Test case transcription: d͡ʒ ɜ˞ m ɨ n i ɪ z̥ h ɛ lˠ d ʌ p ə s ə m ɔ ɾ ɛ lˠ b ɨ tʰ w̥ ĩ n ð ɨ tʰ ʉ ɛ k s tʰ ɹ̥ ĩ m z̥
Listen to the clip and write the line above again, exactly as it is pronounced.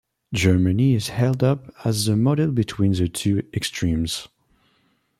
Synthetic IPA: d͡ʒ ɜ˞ m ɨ n i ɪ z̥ h ɛ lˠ d ʌ p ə z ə m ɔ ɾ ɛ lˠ b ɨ tʰ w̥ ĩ n ð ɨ tʰ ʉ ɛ k s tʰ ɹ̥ ĩ m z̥